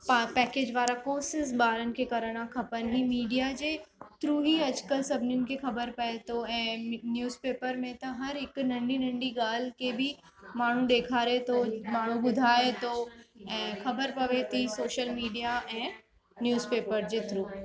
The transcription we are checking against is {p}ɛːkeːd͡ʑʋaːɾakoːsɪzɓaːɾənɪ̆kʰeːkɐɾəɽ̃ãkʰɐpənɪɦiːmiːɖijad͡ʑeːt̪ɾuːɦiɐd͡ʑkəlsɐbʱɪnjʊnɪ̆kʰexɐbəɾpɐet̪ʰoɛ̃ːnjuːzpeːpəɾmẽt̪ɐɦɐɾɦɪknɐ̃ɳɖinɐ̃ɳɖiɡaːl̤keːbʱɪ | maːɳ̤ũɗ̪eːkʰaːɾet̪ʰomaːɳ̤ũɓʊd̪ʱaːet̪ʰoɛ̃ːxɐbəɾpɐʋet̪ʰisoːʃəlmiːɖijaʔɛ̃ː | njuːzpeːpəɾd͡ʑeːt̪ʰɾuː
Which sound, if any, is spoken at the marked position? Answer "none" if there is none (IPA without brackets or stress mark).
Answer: p